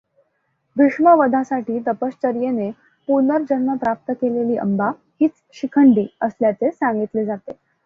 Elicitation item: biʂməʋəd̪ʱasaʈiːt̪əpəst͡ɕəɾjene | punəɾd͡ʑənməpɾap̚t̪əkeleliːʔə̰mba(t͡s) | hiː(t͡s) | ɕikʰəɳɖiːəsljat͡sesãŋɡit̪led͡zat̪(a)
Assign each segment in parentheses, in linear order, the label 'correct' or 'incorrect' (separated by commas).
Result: incorrect, correct, incorrect